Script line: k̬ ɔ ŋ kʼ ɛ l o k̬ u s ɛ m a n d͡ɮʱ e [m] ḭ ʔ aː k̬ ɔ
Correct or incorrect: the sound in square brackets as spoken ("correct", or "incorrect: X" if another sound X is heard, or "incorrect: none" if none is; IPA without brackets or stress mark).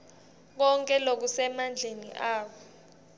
incorrect: n